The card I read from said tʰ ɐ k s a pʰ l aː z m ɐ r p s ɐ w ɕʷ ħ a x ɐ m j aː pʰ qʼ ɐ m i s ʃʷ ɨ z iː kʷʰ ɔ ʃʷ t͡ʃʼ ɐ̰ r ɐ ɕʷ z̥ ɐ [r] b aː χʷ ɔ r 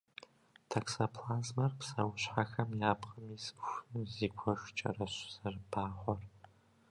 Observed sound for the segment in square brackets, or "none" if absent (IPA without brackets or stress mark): r